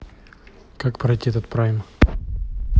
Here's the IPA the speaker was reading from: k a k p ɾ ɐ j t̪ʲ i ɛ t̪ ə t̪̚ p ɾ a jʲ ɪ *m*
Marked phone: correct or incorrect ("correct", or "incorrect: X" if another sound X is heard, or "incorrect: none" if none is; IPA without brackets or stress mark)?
correct